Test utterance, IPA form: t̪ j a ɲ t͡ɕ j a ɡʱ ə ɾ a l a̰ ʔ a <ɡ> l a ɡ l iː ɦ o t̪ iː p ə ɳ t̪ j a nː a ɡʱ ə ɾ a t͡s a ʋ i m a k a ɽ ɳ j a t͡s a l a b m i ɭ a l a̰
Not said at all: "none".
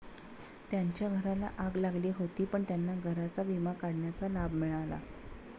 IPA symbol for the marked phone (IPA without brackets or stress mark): ɡ